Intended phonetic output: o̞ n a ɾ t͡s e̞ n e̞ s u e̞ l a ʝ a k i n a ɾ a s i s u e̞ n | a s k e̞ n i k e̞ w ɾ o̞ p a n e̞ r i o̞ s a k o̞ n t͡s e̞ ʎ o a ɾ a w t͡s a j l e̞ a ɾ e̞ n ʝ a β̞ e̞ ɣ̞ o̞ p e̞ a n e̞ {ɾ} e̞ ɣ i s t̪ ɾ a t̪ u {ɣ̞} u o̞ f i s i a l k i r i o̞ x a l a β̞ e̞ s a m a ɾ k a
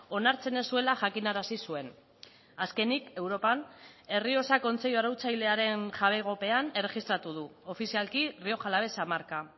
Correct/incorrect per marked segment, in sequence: incorrect: r, incorrect: ð̞

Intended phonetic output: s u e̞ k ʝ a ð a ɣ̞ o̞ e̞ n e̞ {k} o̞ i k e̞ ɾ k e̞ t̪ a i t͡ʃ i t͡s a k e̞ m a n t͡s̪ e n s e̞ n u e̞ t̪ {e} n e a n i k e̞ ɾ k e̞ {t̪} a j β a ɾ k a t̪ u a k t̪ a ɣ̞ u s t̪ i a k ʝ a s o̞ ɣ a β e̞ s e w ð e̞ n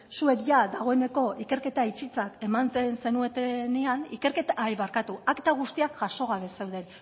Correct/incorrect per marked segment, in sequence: correct, correct, correct

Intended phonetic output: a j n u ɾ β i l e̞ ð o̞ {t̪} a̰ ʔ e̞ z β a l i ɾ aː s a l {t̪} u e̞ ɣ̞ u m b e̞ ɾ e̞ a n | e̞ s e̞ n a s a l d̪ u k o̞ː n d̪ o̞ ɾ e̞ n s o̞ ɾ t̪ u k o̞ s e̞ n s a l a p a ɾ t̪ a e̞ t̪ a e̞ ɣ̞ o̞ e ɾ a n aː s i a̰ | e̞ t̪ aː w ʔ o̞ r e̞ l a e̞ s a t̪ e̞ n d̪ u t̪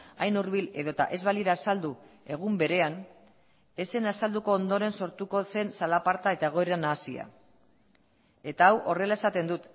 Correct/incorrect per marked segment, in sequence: correct, incorrect: d̪

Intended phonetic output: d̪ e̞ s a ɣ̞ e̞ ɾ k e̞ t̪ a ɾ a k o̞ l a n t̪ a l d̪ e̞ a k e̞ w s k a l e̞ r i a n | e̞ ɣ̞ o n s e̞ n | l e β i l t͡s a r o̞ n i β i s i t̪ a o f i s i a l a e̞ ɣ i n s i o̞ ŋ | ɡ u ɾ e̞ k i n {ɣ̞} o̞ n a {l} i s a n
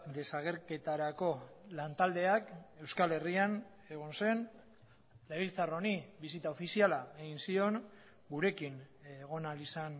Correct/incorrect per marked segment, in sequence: correct, correct

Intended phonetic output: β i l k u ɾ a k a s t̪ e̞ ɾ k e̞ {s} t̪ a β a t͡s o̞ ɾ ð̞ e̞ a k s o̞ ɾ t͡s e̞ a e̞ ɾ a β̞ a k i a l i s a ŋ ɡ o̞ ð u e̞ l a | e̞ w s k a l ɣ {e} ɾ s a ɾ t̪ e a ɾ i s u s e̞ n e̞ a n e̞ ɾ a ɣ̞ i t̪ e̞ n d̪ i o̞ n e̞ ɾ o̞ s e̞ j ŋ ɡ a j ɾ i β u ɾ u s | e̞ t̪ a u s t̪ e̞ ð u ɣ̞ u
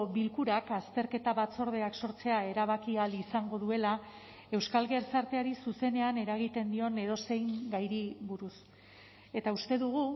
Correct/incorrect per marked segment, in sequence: incorrect: none, correct

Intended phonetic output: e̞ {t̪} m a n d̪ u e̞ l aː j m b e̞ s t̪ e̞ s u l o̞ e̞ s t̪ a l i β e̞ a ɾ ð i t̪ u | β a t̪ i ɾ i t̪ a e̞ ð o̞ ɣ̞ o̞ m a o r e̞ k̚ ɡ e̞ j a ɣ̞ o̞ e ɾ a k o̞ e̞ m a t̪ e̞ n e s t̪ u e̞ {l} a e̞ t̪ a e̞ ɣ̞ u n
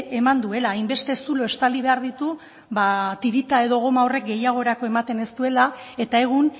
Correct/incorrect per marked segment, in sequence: incorrect: none, correct

